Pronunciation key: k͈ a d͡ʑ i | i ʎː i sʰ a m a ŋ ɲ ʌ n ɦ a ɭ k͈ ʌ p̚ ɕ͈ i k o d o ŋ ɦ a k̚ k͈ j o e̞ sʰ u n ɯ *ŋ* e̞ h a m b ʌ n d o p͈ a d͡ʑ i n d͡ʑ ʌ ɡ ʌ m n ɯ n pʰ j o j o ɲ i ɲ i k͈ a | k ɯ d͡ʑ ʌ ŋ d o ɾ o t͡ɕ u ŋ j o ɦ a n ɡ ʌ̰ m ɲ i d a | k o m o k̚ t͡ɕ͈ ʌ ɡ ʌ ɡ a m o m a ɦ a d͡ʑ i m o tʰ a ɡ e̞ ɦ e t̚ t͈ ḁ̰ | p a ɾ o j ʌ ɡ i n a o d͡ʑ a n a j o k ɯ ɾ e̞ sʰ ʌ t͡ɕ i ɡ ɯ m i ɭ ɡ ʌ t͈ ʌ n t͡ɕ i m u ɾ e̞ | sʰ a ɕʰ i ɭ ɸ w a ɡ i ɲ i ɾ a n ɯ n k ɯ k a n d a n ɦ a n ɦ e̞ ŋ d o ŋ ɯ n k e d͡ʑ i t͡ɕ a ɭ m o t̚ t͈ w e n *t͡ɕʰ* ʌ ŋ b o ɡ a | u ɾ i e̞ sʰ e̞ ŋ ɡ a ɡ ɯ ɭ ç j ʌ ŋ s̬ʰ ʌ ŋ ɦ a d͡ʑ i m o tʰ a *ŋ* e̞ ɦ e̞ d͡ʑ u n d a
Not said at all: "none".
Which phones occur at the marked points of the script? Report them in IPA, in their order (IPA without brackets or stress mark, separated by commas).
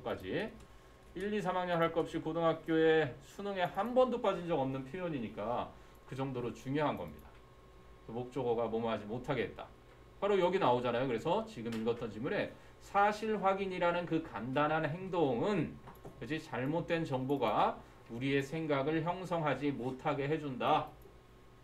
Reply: ŋ, t͡ɕ, ɡ